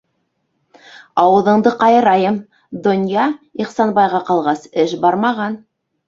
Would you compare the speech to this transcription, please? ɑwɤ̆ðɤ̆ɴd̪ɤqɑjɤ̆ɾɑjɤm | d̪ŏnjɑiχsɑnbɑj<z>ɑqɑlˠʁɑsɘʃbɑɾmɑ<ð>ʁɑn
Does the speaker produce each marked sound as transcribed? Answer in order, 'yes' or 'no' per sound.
no, no

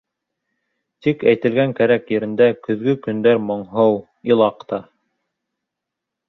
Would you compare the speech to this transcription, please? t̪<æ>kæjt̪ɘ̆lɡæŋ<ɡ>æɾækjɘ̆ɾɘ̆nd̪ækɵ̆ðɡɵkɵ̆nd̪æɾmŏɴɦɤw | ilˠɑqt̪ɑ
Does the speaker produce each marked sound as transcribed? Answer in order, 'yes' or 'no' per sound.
no, no

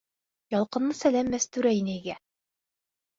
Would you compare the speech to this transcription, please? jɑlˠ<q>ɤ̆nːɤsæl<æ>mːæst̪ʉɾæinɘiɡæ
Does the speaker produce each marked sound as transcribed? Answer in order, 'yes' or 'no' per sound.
yes, yes

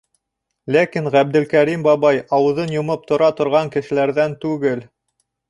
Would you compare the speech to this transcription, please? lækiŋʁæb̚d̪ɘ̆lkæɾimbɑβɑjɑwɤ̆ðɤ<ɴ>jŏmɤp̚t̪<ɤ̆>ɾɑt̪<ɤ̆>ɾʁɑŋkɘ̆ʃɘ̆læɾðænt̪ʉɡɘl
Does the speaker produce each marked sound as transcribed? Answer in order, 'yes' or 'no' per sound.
no, no, no

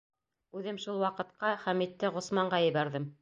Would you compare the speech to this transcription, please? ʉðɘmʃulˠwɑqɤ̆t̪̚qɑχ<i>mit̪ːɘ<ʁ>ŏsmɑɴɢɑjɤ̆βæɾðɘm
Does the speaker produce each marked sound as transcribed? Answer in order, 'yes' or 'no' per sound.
no, yes

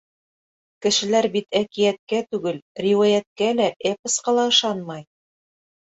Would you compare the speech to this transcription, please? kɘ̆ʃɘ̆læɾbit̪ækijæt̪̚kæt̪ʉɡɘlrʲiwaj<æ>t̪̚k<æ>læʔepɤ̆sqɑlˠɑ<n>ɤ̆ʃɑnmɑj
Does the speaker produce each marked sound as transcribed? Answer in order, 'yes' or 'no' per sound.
yes, yes, no

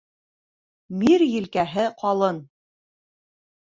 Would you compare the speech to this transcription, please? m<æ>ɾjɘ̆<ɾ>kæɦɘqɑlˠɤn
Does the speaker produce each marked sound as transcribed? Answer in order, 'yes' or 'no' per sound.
no, no

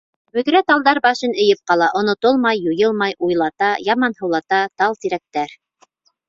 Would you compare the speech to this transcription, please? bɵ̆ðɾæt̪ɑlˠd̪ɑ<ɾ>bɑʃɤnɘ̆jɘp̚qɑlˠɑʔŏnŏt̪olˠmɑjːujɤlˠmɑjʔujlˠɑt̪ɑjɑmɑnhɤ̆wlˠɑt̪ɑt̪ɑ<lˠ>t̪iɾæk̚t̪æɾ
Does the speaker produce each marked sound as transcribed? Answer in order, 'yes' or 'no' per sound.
yes, yes

